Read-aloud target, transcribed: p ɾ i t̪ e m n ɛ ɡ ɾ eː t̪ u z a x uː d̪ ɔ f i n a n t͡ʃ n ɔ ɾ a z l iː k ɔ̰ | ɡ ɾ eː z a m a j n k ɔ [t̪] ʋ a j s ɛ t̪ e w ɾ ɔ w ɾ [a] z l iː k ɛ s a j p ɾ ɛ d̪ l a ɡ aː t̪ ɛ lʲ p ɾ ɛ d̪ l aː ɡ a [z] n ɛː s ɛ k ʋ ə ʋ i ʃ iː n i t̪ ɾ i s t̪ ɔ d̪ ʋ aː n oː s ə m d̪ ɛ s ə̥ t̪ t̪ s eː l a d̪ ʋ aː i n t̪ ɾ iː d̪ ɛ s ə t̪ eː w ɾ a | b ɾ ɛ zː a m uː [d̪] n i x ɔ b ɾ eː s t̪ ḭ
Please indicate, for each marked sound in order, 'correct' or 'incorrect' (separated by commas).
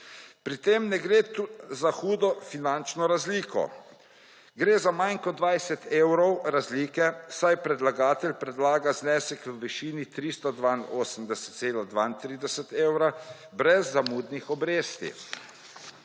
incorrect, correct, correct, correct